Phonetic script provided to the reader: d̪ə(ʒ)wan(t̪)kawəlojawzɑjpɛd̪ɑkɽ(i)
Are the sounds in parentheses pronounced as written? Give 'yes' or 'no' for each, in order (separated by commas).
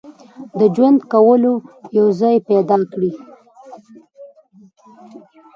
no, no, yes